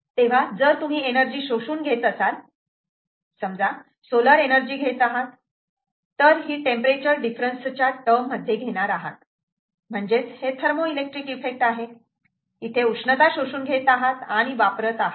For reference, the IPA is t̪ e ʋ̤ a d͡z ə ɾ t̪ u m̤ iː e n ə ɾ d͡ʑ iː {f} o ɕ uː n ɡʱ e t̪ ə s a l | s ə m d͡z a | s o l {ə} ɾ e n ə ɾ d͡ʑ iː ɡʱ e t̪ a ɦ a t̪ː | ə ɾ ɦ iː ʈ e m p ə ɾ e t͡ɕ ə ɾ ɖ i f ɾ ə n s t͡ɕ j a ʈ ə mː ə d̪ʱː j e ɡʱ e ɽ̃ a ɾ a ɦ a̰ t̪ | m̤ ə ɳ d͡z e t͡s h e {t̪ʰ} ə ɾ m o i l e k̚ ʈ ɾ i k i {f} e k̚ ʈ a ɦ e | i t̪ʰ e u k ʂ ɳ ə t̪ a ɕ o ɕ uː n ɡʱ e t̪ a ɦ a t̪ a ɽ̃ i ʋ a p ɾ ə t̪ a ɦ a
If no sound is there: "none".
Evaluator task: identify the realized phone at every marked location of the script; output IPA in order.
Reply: ɕ, ə, t̪ʰ, f

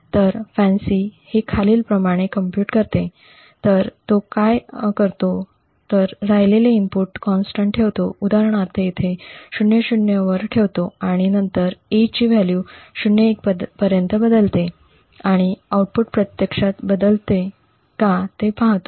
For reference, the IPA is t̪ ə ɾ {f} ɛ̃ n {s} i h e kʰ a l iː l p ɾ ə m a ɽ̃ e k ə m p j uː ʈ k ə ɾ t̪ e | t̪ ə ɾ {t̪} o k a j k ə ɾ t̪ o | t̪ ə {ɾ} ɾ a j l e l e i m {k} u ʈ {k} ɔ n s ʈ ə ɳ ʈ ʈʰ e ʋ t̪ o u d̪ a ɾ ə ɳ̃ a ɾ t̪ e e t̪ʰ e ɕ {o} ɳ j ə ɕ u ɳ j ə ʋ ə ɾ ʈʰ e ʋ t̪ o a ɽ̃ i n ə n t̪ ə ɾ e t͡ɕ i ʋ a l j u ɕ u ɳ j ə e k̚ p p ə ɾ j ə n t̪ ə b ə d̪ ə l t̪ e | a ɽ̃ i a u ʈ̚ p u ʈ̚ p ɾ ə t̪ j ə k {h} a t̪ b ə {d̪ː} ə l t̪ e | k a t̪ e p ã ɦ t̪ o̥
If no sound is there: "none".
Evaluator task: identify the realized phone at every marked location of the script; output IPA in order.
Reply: f, s, t̪, ɾ, p, k, u, ʂ, d̪

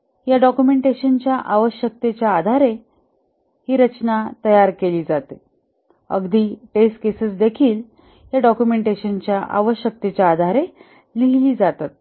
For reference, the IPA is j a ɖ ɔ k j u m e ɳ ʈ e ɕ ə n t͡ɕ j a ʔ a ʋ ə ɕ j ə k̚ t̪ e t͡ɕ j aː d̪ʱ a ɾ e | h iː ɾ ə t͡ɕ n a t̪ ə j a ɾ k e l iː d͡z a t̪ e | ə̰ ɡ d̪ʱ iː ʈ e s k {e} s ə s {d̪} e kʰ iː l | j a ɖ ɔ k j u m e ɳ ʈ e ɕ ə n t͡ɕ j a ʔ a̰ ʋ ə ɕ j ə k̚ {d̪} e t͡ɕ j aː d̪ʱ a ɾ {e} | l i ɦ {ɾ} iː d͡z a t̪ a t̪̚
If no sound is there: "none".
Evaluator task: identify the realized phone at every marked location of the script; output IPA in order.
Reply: e, d̪, t̪, e, l

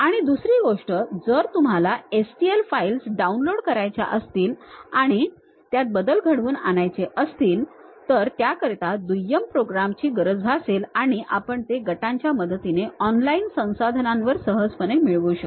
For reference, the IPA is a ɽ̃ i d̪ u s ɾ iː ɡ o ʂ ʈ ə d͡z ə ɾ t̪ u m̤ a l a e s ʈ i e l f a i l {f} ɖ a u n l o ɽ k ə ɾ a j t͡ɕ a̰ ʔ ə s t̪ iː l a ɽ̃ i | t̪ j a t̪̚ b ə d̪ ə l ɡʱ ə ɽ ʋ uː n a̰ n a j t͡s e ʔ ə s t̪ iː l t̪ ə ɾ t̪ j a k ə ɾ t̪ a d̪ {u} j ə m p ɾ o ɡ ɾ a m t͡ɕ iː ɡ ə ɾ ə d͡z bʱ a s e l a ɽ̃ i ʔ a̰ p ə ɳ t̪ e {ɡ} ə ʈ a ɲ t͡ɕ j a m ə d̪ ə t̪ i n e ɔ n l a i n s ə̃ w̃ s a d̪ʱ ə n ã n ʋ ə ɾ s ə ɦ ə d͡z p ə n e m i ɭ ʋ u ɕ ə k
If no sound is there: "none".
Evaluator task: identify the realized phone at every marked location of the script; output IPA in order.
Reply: s, u, ɡ

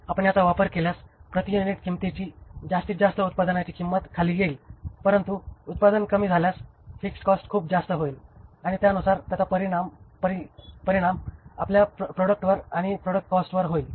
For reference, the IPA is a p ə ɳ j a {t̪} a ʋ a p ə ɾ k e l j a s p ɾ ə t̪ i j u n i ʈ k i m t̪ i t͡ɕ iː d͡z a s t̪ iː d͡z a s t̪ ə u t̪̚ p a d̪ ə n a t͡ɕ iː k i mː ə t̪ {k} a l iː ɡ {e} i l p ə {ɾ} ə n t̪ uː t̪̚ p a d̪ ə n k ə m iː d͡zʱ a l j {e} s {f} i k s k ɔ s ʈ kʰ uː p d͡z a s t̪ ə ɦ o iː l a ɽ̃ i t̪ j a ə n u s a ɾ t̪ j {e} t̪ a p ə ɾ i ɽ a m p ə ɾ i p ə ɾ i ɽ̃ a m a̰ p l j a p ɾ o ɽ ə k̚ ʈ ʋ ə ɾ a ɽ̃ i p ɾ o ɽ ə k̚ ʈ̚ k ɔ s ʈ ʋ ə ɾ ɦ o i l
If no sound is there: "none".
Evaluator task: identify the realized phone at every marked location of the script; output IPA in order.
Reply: t̪, kʰ, e, ɾ, a, f, a

